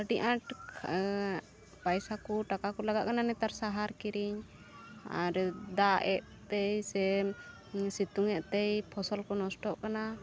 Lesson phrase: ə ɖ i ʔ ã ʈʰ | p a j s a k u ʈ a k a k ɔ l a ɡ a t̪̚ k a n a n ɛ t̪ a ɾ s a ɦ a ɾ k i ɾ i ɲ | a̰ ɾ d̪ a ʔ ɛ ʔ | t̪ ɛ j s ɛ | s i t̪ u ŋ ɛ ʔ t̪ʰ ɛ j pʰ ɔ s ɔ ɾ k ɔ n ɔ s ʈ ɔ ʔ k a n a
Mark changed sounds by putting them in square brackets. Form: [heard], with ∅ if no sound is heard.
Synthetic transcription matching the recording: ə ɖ i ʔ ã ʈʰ | p a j s a k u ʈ a k a k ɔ l a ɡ a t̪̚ k a n a n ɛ t̪ a ɾ s a ɦ a ɾ k i ɾ i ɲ | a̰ ɾ d̪ a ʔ ɛ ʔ | t̪ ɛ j s ɛ | s i t̪ u ŋ ɛ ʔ [t̪] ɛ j pʰ ɔ s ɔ [l] k ɔ n ɔ s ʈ ɔ ʔ k a n a